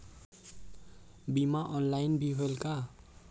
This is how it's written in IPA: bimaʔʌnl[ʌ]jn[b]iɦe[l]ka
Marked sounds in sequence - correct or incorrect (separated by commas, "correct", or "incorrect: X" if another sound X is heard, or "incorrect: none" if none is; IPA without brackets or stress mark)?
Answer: incorrect: a, correct, correct